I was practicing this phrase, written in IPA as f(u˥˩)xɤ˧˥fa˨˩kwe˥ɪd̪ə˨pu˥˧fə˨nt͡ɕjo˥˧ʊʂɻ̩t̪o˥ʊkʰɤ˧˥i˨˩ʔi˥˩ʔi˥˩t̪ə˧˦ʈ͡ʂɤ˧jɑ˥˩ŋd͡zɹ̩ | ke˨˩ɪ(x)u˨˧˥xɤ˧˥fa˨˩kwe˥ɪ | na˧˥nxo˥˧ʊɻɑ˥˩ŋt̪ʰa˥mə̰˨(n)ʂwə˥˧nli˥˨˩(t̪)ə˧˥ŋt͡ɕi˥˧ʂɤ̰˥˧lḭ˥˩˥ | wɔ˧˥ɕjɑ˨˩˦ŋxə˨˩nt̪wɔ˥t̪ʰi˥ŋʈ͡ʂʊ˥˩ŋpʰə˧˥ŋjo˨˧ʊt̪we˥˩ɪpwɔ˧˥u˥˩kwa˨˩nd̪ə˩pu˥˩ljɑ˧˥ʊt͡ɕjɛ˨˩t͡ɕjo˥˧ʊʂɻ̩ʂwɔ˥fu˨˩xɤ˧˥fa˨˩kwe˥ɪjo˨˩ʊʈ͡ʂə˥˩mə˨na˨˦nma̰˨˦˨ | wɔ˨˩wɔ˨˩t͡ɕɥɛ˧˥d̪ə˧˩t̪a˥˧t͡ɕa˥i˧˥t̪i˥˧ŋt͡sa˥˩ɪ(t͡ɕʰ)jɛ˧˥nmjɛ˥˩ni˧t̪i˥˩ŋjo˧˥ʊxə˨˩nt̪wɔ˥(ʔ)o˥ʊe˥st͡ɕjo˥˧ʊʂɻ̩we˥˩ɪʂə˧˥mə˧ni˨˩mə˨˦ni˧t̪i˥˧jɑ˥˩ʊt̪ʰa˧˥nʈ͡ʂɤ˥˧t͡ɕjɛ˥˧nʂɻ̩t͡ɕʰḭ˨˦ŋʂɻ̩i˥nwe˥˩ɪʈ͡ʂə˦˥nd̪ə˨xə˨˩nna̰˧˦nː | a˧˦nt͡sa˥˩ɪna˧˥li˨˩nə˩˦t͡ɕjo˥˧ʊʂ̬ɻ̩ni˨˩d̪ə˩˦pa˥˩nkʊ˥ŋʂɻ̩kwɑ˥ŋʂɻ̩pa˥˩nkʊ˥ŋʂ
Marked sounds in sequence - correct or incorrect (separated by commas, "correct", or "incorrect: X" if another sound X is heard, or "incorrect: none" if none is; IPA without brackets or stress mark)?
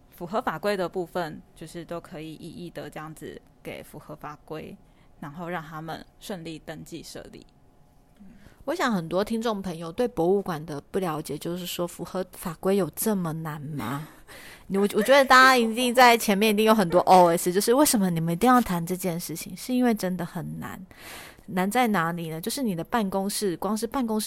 incorrect: u˨˩, incorrect: f, correct, correct, correct, correct